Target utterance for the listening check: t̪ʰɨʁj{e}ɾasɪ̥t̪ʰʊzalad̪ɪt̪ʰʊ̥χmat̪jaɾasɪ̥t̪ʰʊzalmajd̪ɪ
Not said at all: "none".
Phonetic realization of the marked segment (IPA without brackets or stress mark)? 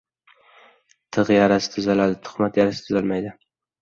a